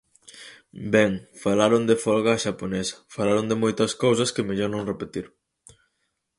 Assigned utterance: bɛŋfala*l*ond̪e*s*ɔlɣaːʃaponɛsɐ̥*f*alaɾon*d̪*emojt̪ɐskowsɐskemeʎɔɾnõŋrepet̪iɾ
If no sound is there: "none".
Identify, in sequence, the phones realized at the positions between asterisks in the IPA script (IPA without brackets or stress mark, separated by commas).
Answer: ɾ, f, f, d̪